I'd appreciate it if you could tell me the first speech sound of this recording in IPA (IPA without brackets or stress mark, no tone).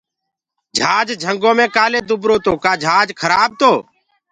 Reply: d͡ʒʱ